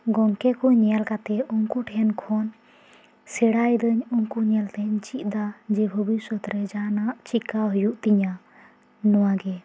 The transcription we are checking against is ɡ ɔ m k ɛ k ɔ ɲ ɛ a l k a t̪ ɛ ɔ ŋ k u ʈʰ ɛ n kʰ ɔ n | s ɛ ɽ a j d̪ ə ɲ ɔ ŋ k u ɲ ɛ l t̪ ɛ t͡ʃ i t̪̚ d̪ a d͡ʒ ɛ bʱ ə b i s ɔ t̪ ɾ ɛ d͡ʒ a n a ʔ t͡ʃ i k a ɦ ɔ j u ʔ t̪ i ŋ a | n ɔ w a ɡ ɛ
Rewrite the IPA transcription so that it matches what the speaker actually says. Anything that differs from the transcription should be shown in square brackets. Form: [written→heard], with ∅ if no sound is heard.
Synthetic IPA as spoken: ɡ ɔ [m→ŋ] k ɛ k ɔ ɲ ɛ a l k a t̪ ɛ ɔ ŋ k u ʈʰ ɛ n kʰ ɔ n | s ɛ ɽ a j d̪ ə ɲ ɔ ŋ k u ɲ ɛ l t̪ ɛ t͡ʃ i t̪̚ d̪ a d͡ʒ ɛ bʱ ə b i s ɔ t̪ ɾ ɛ d͡ʒ a n a ʔ t͡ʃ i k a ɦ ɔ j u ʔ t̪ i [ŋ→ɲ] a | n ɔ w a ɡ ɛ